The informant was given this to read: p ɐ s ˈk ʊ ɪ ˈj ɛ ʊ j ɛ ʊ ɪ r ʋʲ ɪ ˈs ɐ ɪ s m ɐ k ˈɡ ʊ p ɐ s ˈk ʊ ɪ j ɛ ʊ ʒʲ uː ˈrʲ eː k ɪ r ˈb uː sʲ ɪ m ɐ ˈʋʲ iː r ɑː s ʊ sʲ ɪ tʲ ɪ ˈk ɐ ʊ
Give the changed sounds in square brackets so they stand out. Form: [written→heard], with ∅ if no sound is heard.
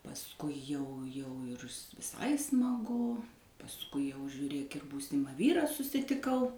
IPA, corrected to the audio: p ɐ s ˈk ʊ ɪ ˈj ɛ ʊ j ɛ ʊ ɪ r ʋʲ ɪ ˈs ɐ ɪ s m ɐ [k→∅] ˈɡ ʊ p ɐ s ˈk ʊ ɪ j ɛ ʊ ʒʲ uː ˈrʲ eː k ɪ r ˈb uː sʲ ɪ m ɐ ˈʋʲ iː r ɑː s ʊ sʲ ɪ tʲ ɪ ˈk ɐ ʊ